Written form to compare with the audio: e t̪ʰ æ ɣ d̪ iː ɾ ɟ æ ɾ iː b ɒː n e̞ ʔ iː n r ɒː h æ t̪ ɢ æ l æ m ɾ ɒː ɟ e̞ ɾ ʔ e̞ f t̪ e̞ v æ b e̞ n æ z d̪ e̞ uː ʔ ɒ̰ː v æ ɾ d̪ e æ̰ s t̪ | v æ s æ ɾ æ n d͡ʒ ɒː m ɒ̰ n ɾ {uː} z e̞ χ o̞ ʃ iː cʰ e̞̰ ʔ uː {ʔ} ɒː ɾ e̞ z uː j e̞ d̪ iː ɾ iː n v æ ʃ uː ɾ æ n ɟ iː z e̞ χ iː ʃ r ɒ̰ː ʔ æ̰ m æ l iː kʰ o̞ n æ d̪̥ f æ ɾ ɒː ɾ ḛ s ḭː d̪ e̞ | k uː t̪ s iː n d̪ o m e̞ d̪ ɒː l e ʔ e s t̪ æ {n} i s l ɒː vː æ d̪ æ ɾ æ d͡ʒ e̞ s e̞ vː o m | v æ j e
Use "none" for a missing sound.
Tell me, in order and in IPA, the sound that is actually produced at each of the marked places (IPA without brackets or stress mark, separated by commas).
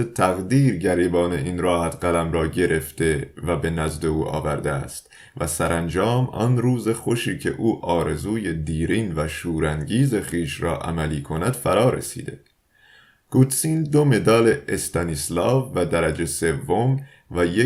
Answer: uː, ʔ, n